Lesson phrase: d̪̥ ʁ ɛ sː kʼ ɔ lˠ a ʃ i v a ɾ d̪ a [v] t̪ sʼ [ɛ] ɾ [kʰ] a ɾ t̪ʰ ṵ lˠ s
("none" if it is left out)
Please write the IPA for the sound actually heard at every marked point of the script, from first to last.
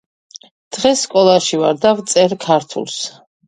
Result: v, ɛ, kʰ

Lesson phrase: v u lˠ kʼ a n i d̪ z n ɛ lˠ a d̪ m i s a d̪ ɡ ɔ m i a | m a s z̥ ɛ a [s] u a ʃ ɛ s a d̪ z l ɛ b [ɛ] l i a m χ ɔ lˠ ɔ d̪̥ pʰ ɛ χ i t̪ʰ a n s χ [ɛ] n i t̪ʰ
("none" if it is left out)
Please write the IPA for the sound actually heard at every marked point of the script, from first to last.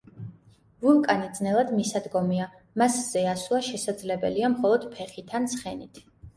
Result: s, ɛ, ɛ

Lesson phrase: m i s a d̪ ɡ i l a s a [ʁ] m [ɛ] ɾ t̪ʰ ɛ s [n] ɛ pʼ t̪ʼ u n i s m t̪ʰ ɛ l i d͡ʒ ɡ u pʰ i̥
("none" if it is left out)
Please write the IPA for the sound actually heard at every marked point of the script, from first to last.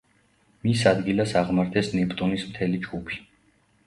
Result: ʁ, a, n

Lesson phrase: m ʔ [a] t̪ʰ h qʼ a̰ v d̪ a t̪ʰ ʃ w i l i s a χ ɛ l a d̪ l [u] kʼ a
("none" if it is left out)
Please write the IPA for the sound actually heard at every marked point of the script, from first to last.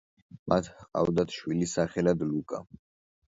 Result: a, u

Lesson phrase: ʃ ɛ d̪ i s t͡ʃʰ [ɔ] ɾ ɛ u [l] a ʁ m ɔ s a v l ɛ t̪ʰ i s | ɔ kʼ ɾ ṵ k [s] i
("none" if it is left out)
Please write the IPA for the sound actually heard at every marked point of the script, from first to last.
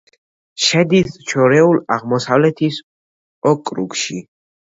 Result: ɔ, l, ʃ

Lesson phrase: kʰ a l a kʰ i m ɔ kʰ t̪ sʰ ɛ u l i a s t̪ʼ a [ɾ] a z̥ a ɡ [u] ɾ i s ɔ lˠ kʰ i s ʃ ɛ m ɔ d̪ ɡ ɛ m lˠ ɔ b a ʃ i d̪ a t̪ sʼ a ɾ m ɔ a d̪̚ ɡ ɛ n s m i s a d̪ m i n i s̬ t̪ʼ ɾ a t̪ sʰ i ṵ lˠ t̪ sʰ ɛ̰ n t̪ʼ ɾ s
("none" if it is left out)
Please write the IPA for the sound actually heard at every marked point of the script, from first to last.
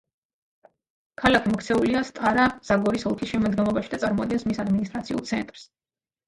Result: ɾ, ɔ

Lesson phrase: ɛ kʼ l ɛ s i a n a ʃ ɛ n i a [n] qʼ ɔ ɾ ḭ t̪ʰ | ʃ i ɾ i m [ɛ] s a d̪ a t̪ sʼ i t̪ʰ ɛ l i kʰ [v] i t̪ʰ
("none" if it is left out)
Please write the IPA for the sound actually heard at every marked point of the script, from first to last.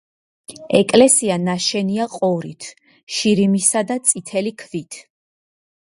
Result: none, i, v

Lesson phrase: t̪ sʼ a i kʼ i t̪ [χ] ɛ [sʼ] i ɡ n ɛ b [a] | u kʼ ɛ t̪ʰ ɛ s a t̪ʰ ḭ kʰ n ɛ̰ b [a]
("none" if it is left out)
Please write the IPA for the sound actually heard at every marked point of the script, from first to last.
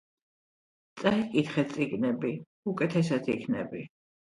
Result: χ, sʼ, i, i

